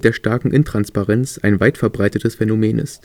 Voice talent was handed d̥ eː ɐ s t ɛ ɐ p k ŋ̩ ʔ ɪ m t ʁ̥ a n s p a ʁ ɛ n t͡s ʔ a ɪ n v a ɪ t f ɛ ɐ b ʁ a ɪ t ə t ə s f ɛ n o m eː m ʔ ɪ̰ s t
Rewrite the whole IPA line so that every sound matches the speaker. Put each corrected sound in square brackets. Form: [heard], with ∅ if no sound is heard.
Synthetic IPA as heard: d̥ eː ɐ [ʃ] t [a] ɐ [∅] k ŋ̩ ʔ ɪ [n] t ʁ̥ a n s p a ʁ ɛ n t͡s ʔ a ɪ n v a ɪ t f ɛ ɐ b ʁ a ɪ t ə t ə s f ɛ n o m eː [n] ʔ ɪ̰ s t